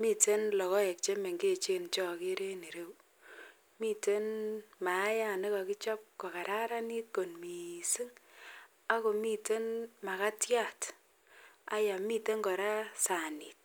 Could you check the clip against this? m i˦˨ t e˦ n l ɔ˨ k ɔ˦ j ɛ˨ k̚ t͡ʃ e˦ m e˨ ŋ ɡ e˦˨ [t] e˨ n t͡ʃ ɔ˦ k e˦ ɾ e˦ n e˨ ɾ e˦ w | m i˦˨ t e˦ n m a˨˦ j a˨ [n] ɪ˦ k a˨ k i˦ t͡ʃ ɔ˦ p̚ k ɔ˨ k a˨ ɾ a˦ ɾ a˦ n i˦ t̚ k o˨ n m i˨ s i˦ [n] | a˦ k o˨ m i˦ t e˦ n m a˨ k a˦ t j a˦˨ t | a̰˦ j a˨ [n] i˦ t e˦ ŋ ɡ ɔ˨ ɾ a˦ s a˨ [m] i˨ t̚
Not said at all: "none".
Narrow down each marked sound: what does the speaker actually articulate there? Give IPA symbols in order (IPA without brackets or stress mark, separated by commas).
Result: t͡ʃ, n, ŋ, m, n